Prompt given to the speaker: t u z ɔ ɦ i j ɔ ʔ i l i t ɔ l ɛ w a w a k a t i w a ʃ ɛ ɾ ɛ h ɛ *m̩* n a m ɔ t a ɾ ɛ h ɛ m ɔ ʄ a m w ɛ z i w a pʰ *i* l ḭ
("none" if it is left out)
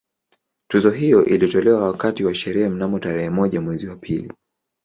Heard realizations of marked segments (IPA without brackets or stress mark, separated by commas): m̩, i